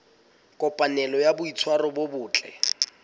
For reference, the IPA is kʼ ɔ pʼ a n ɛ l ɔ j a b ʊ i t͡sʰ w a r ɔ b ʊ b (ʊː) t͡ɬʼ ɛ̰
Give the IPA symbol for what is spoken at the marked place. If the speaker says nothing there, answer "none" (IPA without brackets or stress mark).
ʊː